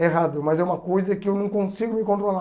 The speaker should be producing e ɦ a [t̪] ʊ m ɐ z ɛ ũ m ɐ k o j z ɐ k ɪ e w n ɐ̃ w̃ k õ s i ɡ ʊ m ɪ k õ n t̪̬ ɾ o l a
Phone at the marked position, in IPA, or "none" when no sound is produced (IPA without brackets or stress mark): d̪